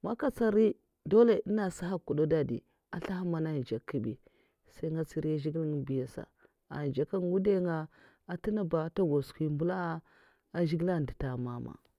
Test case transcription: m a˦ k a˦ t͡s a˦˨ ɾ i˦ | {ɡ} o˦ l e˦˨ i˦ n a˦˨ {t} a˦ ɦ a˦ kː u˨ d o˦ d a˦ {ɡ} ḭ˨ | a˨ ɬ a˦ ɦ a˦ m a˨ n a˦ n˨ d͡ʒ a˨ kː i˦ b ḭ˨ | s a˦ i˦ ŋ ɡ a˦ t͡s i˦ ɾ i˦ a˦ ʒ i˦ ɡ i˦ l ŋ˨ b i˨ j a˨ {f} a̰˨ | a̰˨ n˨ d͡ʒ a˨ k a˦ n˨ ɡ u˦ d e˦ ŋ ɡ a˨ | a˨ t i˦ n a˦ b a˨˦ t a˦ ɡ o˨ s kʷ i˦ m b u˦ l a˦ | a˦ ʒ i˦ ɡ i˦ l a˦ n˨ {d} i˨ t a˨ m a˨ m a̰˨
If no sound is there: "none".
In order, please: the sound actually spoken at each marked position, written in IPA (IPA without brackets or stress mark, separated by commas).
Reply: d, s, d, s, d